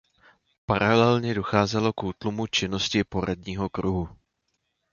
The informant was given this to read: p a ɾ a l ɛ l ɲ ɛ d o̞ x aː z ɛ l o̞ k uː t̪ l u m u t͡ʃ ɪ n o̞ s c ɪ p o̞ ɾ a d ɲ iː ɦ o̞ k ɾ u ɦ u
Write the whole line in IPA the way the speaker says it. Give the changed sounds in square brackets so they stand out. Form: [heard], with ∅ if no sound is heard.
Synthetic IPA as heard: p a ɾ a l ɛ l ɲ ɛ d o̞ x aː z ɛ l o̞ k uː t̪ l u m u t͡ʃ ɪ n o̞ s c ɪ p o̞ ɾ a d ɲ iː ɦ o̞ k ɾ u ɦ u